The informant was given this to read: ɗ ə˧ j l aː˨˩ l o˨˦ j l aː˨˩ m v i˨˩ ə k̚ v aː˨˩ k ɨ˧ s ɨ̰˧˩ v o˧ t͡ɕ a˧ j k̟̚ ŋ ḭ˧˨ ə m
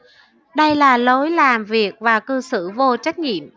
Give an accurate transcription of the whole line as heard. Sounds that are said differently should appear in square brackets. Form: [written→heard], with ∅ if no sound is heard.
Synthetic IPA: ɗ ə˧ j l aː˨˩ l o˨˦ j l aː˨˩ m v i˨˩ ə k̚ v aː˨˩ k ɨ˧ s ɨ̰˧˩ v o˧ t͡ɕ [a˧→a˦˥] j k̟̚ ŋ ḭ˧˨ ə m

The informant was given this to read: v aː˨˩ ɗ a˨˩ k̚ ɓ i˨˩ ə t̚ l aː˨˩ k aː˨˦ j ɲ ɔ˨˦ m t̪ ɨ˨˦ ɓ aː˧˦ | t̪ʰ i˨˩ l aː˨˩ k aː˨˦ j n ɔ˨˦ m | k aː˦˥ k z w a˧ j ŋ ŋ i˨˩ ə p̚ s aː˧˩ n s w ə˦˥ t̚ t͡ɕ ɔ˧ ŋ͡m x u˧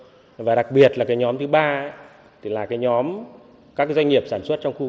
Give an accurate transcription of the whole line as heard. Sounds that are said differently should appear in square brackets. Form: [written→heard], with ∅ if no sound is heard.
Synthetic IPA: v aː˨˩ ɗ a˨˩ k̚ ɓ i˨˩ ə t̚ l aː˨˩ k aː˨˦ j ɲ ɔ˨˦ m t̪ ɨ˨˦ ɓ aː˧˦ | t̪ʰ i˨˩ l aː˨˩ k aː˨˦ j [n→ɲ] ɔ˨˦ m | k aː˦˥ k z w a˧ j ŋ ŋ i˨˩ ə p̚ s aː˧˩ n s w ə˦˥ t̚ t͡ɕ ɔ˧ ŋ͡m x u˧

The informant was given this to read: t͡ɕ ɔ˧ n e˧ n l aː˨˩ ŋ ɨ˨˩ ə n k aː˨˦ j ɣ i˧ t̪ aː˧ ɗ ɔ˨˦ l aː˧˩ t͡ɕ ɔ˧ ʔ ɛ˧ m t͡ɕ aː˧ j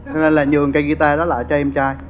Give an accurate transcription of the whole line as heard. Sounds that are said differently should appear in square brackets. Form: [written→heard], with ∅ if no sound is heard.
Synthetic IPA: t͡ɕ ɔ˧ n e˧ n l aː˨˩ [ŋ→ɲ] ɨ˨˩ ə [n→ŋ] k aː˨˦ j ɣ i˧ t̪ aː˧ ɗ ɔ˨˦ l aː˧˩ t͡ɕ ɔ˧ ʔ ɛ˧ m t͡ɕ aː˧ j

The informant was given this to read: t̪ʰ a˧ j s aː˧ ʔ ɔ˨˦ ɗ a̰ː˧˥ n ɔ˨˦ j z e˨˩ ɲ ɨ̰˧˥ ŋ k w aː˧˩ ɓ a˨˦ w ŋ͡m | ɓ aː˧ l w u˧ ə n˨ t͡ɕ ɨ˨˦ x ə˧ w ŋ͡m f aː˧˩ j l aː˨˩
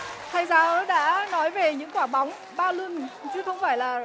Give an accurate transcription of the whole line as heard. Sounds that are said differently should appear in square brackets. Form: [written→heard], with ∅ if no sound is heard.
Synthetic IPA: t̪ʰ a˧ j [s→z] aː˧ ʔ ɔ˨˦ ɗ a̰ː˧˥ n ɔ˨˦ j [z→v] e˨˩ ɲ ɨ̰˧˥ ŋ k w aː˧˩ ɓ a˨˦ w ŋ͡m | ɓ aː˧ l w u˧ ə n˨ t͡ɕ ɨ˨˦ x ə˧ w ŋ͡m f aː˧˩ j l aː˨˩

